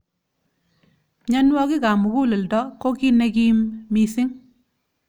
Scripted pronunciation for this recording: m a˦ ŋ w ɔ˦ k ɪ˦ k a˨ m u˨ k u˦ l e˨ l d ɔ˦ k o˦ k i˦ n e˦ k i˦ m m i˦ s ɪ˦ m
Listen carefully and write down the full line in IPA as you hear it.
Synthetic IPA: ɲ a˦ n w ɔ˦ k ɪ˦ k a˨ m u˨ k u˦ l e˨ l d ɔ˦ k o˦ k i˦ n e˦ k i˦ m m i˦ s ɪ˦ ŋ